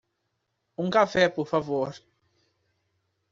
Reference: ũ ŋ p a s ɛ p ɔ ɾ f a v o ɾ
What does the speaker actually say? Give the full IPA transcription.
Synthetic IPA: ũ ŋ k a f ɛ p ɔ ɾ f a v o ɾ